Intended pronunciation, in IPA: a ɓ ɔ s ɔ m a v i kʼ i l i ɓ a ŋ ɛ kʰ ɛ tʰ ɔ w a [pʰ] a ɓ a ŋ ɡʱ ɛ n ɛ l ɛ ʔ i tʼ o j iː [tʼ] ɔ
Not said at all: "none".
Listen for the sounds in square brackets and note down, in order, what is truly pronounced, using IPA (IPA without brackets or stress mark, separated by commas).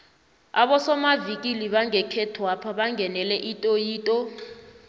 pʰ, tʼ